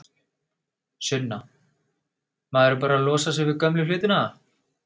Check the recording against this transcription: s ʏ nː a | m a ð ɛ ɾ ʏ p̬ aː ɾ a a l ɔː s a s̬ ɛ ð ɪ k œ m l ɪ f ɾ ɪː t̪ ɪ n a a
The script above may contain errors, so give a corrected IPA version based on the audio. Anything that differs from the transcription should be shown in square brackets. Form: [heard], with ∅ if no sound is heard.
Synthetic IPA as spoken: s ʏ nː a | m a ð ɛ ɾ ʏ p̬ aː ɾ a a l ɔː s a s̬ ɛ [v] ɪ k œ m l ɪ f [l] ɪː t̪ ɪ n a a